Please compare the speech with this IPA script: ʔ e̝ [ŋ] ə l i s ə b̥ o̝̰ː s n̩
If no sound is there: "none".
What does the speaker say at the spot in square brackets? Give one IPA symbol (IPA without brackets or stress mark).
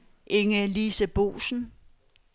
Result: ŋ